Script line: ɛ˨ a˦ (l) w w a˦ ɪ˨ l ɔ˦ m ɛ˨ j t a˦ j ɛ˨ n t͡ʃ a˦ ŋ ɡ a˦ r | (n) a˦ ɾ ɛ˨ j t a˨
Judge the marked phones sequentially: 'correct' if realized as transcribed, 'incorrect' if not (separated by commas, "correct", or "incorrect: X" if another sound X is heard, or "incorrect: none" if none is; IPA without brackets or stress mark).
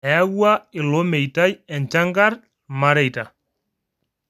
incorrect: none, incorrect: m